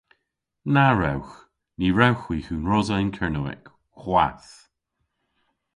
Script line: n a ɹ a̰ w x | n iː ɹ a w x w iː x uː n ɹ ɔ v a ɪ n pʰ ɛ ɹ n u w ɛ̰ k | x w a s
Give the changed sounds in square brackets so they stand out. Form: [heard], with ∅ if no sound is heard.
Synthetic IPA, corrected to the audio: n a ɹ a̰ w x | n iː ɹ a w x w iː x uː n ɹ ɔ [z] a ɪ n [kʰ] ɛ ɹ n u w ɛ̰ k | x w a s